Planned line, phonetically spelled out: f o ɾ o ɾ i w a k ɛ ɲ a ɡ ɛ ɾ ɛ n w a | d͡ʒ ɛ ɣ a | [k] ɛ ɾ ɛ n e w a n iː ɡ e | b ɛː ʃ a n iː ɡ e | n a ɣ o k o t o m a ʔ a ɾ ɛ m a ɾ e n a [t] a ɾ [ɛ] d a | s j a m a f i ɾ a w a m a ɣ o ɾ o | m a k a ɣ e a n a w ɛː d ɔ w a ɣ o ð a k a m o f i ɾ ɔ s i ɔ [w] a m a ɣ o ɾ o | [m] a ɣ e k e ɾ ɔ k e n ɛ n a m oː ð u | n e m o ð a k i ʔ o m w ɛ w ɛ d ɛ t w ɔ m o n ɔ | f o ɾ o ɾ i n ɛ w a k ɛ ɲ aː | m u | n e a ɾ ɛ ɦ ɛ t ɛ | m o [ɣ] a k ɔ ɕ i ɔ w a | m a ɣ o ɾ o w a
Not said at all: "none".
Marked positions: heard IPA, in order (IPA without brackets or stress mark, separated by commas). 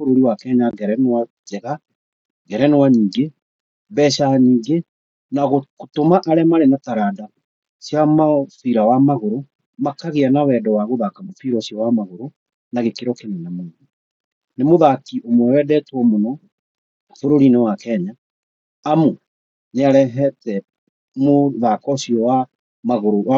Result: ɡ, t, a, w, n, ð